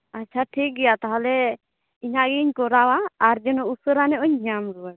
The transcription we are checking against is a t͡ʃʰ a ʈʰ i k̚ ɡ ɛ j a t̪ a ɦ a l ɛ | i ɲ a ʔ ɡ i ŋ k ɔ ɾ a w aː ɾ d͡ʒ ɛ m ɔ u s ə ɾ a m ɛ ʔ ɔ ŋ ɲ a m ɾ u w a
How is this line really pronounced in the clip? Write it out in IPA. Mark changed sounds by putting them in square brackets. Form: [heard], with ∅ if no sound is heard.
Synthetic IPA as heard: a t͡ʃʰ a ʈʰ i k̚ ɡ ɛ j a t̪ a ɦ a l ɛ | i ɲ a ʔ ɡ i [ɲ] k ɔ ɾ a w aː ɾ d͡ʒ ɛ [n] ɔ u s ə ɾ a [n] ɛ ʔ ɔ [ɲ] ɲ a m ɾ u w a